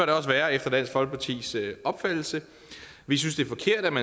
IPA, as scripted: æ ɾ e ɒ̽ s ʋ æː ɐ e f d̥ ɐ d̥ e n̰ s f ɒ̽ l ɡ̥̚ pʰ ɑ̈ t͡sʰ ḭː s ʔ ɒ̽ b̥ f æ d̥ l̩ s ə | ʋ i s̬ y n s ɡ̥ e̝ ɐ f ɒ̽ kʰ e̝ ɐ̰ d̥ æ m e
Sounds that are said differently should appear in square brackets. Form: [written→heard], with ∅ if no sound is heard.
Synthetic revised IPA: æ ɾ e ɒ̽ s ʋ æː ɐ e f d̥ ɐ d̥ [e→æ] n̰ s f ɒ̽ l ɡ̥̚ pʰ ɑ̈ t͡sʰ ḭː s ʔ ɒ̽ b̥ f æ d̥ l̩ s ə | ʋ i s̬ y n s [ɡ̥→d̥] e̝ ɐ f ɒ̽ kʰ e̝ ɐ̰ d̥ æ m [e→æ]